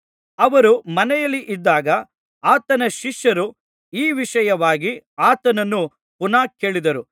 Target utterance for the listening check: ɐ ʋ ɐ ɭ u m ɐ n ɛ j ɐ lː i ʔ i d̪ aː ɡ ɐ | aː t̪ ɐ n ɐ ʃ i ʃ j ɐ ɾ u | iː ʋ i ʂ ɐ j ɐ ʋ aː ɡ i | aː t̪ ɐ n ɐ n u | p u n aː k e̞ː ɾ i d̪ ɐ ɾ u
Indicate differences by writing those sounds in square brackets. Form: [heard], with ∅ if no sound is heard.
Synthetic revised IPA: ɐ ʋ ɐ [ɾ] u m ɐ n ɛ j ɐ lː i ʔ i [d̪ː] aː ɡ ɐ | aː t̪ ɐ n ɐ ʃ i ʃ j ɐ ɾ u | iː ʋ i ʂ ɐ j ɐ ʋ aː ɡ i | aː t̪ ɐ n ɐ [nː] u | p u n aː k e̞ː [ɭ] i d̪ ɐ ɾ u